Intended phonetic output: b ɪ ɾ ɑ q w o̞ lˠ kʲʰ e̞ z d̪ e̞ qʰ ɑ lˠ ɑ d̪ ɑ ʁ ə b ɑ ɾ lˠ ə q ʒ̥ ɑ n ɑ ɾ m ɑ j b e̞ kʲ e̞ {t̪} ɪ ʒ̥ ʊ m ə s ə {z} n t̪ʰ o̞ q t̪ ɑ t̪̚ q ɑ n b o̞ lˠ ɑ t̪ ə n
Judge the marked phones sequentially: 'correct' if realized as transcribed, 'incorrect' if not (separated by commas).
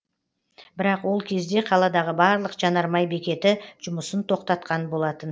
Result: correct, incorrect